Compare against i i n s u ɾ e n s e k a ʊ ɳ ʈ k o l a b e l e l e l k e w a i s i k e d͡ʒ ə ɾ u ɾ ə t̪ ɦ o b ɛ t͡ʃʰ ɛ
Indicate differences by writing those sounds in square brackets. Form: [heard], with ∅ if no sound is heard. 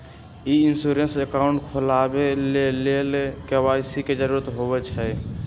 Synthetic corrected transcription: i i n s u ɾ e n s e k a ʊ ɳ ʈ [kʰ] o l a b e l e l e l k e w a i s i k e d͡ʒ ə ɾ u ɾ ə t̪ ɦ o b ɛ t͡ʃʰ ɛ

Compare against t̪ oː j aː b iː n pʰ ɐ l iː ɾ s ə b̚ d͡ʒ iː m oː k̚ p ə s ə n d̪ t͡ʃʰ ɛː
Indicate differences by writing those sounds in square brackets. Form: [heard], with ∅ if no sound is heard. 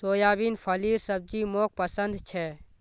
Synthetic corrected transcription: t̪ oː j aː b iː n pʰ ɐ l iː ɾ s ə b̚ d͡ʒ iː m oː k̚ p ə s ə n d̪ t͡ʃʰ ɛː

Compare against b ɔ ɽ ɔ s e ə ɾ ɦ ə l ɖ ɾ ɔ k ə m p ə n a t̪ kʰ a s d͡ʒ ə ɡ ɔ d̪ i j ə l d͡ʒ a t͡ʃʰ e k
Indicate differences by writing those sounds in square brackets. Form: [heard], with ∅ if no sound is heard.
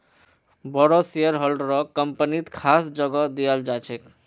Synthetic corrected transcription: b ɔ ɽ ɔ s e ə ɾ ɦ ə l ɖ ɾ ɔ k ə m p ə n [i] t̪ kʰ a s d͡ʒ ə ɡ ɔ d̪ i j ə l d͡ʒ a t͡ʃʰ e k

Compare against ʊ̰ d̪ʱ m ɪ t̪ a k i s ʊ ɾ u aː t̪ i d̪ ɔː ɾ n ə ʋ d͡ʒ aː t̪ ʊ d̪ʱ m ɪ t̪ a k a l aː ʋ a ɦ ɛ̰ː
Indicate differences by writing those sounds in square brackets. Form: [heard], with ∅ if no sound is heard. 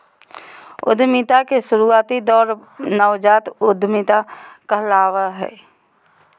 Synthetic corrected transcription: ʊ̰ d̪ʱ m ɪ t̪ a k [e] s ʊ ɾ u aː t̪ i d̪ ɔː ɾ n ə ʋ d͡ʒ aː t̪ ʊ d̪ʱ m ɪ t̪ a k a l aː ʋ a ɦ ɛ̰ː

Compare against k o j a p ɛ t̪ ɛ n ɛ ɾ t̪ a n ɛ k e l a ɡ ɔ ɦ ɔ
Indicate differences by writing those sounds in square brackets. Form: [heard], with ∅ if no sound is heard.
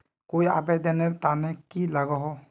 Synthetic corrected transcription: k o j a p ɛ [d̪] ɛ n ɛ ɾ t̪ a n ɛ k [i] l a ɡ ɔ ɦ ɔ

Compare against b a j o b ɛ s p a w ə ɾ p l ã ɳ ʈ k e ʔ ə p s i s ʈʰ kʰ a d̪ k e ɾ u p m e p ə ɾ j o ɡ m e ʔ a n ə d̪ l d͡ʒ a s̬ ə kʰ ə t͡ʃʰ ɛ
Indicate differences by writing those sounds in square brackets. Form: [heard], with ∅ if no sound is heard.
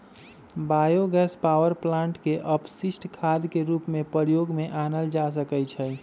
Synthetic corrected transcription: b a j o [ɡ] ɛ s p a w ə ɾ p l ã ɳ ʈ k e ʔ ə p s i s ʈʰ kʰ a d̪ k e ɾ u p m e p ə ɾ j o ɡ m e ʔ a n ə [∅] l d͡ʒ a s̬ ə [k] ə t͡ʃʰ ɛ

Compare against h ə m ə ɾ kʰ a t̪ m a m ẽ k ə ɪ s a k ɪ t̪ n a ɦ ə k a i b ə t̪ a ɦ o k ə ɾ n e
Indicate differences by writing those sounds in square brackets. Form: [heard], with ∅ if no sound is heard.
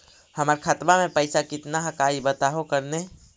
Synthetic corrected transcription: h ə m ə ɾ kʰ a t̪ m a m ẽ [p] ə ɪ s a k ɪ t̪ n a ɦ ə k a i b ə t̪ a ɦ o k ə ɾ n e

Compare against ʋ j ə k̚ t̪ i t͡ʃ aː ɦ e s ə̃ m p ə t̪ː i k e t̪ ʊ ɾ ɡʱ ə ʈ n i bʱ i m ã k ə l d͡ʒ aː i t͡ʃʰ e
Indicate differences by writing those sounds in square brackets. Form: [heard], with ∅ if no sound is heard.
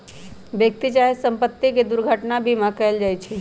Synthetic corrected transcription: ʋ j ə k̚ t̪ i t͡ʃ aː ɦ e s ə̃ m p ə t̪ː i k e [d̪] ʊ ɾ ɡʱ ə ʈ n [a] bʱ i m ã k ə l d͡ʒ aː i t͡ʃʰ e

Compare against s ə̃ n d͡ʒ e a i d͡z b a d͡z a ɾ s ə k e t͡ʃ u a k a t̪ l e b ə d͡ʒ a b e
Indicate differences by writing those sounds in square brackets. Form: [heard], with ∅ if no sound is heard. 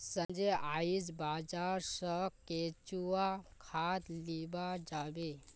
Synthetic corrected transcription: s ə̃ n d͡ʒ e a i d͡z b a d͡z a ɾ s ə k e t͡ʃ u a [kʰ] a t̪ l [i] b [a] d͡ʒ a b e

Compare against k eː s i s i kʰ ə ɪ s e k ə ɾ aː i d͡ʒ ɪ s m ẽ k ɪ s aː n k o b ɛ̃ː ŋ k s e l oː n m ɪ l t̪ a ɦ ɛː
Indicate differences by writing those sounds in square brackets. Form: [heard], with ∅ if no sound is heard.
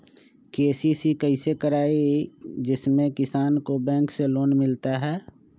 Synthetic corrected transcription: k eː s i s i [k] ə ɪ s e k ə ɾ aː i d͡ʒ ɪ s m ẽ k ɪ s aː n k o b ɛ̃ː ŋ k s e l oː n m ɪ l t̪ a ɦ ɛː

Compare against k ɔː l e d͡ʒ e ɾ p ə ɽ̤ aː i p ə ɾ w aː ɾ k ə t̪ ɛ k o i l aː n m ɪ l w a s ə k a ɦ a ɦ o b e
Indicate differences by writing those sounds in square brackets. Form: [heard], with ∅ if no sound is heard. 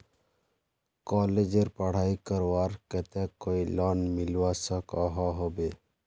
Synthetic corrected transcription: k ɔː l e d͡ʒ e ɾ p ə ɽ̤ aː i [k] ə ɾ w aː ɾ k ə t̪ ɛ k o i l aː n m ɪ l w a s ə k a ɦ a ɦ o b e

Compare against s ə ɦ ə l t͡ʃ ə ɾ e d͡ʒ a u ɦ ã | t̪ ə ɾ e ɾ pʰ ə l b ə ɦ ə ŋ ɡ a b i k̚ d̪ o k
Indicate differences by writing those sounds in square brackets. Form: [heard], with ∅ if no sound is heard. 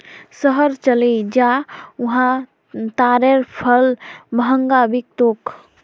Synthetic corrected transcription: s ə ɦ ə [ɾ] t͡ʃ ə [l] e d͡ʒ a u ɦ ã | t̪ [a] ɾ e ɾ pʰ ə l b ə ɦ ə ŋ ɡ a b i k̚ [t̪] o k

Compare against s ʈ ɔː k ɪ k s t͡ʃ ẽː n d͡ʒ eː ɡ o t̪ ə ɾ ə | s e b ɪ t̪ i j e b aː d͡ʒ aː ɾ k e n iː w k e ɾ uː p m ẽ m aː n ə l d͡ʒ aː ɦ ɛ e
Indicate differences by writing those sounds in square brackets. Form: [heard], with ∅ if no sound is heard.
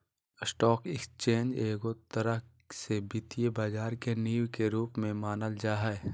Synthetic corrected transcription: s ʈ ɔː k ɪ k s t͡ʃ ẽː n d͡ʒ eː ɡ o t̪ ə ɾ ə | s e b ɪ t̪ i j e b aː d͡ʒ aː ɾ k e n iː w k e ɾ uː p m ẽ m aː n ə l d͡ʒ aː ɦ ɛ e

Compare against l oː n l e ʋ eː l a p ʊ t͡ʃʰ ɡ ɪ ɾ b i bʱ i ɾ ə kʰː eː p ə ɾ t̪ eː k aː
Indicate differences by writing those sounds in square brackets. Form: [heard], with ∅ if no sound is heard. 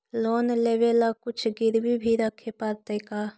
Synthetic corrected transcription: l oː n l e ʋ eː l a [k] ʊ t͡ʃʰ ɡ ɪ ɾ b i bʱ i ɾ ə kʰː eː p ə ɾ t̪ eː k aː

